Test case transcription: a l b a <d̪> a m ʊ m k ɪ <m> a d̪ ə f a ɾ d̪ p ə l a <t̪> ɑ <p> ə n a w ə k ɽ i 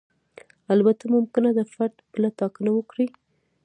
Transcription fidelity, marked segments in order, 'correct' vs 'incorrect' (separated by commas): incorrect, incorrect, correct, incorrect